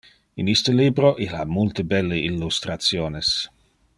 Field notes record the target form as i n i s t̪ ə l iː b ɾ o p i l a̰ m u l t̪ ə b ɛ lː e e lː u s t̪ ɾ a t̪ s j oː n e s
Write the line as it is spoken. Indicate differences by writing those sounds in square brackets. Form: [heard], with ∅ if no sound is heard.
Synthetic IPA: i n i s t̪ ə l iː b ɾ o [ʔ] i l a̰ m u l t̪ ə b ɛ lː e [i] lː u s t̪ ɾ a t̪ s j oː n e s